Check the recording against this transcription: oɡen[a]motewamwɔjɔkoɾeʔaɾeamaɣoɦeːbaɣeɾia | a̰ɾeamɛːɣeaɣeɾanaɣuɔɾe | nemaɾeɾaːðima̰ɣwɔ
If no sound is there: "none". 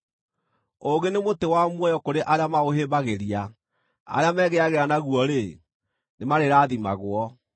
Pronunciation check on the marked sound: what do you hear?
e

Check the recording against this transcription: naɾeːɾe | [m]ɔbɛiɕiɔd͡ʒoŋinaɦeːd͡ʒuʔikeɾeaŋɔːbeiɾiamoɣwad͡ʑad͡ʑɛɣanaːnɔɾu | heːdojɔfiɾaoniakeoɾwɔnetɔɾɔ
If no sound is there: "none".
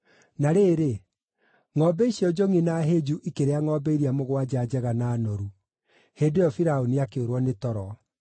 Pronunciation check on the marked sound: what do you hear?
ŋ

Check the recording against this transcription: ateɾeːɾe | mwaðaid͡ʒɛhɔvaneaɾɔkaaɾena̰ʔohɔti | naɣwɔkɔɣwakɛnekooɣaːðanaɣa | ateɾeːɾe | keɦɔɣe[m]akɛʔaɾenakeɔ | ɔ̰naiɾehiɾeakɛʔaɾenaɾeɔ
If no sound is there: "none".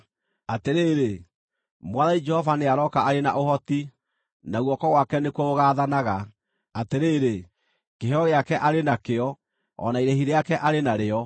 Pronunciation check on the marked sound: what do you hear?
none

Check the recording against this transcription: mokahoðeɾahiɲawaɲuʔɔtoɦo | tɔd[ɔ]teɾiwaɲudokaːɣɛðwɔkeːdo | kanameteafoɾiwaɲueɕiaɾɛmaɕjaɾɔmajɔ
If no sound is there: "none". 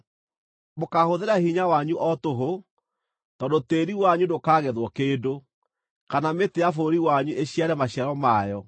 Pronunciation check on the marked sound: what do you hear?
o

